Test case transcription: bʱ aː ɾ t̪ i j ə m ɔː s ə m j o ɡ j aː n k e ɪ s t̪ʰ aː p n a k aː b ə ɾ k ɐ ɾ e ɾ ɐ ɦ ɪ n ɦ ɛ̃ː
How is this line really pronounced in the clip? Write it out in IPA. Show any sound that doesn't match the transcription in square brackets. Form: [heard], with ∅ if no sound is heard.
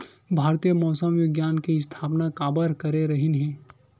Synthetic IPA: bʱ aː ɾ t̪ i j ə m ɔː s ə m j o ɡ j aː n k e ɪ s t̪ʰ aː p n a k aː b ə ɾ k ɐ ɾ e ɾ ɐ ɦ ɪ n ɦ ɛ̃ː